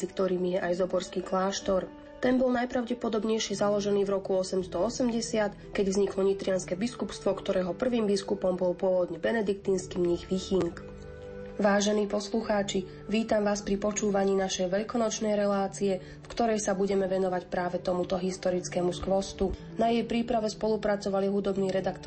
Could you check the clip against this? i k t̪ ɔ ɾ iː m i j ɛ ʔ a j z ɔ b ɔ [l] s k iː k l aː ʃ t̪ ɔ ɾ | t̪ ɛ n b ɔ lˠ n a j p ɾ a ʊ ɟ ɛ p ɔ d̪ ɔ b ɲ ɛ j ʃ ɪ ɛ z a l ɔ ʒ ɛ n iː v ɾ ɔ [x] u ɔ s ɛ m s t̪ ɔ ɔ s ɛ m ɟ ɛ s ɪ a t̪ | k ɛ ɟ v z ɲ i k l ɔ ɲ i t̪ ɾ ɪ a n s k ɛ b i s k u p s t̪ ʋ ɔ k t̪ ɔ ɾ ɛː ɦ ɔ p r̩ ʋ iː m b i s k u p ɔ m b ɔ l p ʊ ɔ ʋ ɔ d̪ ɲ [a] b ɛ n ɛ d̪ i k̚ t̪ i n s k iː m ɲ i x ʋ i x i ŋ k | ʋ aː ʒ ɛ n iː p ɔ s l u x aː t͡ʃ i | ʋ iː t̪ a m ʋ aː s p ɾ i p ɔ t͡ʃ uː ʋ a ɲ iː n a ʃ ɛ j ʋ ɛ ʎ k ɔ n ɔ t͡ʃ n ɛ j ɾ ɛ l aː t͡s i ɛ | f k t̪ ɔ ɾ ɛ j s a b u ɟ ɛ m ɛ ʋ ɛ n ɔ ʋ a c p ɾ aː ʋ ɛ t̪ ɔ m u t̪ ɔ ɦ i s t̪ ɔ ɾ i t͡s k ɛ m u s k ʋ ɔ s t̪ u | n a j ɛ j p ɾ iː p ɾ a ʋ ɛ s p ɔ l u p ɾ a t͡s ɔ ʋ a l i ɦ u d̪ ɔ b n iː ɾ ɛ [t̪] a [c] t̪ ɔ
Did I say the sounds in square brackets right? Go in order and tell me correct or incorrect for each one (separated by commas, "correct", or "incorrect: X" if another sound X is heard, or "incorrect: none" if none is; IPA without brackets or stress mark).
incorrect: ɾ, incorrect: k, incorrect: ɛ, incorrect: d̪, incorrect: k